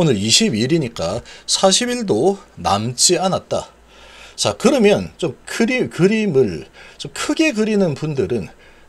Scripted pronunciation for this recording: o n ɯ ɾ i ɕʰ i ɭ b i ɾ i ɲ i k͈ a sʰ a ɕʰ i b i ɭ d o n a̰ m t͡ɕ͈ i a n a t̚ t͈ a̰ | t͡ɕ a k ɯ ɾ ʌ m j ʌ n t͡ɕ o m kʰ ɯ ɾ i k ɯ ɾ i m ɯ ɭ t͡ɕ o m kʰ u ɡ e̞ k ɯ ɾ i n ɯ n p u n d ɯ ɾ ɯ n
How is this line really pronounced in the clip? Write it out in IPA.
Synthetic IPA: o n ɯ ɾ i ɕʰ i b i ɾ i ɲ i k͈ a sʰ a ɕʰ i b i ɭ d o n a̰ m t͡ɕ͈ i a n a t̚ t͈ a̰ | t͡ɕ a k ɯ ɾ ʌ m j ʌ n t͡ɕ o m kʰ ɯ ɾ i k ɯ ɾ i m ɯ ɭ t͡ɕ o m kʰ ɯ ɡ e̞ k ɯ ɾ i n ɯ n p u n d ɯ ɾ ɯ n